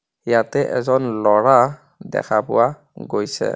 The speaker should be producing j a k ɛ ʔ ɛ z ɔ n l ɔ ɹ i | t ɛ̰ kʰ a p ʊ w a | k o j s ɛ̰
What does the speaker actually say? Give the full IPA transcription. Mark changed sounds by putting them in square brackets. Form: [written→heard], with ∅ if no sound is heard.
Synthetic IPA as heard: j a [k→t] ɛ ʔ ɛ z ɔ n l ɔ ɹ [i→a] | [t→d] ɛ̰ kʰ a p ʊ w a | [k→ɡ] o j s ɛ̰